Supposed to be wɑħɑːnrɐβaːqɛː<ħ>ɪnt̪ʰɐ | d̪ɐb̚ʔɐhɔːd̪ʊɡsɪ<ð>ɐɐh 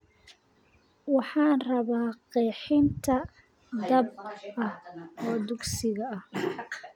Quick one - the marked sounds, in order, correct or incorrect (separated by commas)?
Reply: correct, incorrect